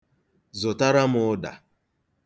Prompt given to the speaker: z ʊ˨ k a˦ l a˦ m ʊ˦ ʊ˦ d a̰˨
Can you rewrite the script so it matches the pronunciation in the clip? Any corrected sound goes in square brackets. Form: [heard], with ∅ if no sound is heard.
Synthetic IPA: z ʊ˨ [t] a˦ [ɾ] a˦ m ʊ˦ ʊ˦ d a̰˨